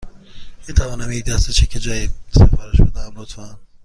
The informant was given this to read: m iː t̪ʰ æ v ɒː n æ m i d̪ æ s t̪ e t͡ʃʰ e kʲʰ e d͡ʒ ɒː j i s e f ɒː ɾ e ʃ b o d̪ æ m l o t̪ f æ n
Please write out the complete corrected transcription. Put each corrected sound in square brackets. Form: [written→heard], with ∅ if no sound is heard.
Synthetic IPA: m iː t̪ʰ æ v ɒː n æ m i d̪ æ s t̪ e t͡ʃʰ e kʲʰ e d͡ʒ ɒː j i s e f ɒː ɾ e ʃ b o d̪ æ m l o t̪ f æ n

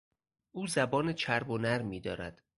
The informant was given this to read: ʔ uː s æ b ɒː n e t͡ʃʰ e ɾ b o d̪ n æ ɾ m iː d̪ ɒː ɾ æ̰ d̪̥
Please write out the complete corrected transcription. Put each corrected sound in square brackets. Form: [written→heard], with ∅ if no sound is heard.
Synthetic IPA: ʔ uː [s→z] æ b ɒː n e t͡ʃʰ [e→æ] ɾ b o [d̪→∅] n æ ɾ m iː d̪ ɒː ɾ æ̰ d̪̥

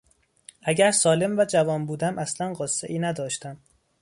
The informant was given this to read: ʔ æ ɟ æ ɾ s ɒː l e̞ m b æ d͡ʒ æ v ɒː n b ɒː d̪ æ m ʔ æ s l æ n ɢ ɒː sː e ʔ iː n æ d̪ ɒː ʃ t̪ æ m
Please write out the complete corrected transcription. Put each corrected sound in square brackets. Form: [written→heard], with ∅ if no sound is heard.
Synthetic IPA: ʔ æ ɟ æ ɾ s ɒː l e̞ m [b→v] æ d͡ʒ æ v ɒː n b [ɒː→uː] d̪ æ m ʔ æ s l æ n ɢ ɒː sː e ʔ iː n æ d̪ ɒː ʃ t̪ æ m

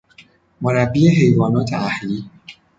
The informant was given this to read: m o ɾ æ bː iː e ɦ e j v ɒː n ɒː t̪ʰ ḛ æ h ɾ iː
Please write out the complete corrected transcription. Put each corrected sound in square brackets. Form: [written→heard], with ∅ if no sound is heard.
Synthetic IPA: m o ɾ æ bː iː e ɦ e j v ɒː n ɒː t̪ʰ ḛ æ h [ɾ→l] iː

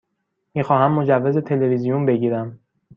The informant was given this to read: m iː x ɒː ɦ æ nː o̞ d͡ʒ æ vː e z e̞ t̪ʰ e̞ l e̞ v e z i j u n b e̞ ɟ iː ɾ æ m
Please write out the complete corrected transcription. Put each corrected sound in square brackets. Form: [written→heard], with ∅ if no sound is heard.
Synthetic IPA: m iː x ɒː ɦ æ [nː→mː] o̞ d͡ʒ æ vː e z e̞ t̪ʰ e̞ l e̞ v [e→i] z i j u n b e̞ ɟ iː ɾ æ m

